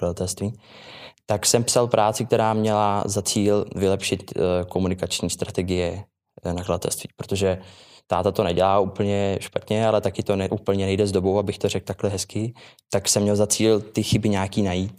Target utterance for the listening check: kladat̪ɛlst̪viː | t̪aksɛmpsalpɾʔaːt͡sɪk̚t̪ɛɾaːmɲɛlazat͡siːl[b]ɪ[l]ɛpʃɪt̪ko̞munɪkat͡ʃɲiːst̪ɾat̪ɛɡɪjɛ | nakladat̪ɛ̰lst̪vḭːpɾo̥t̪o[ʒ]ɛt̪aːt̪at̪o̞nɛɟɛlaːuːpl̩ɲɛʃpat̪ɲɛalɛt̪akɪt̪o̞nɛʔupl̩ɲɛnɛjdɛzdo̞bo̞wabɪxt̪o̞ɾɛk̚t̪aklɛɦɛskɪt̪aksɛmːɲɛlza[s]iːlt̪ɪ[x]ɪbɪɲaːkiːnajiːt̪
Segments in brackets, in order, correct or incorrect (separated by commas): incorrect, correct, correct, incorrect, correct